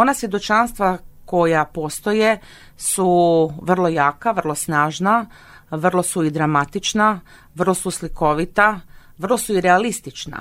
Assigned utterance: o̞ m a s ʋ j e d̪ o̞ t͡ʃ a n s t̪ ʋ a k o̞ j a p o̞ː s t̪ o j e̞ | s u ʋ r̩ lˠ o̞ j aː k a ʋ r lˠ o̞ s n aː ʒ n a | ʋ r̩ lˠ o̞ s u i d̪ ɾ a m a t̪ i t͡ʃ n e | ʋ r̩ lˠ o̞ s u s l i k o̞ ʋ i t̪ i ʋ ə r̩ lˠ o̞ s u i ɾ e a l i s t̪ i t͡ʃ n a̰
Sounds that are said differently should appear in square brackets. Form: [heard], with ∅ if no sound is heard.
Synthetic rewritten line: o̞ [n] a s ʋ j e d̪ o̞ t͡ʃ a n s t̪ ʋ a k o̞ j a p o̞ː s t̪ o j e̞ | s u ʋ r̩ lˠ o̞ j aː k a ʋ r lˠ o̞ s n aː ʒ n a | ʋ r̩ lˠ o̞ s u i d̪ ɾ a m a t̪ i t͡ʃ n [a] | ʋ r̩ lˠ o̞ s u s l i k o̞ ʋ i t̪ [a] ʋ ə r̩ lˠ o̞ s u i ɾ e a l i s t̪ i t͡ʃ n a̰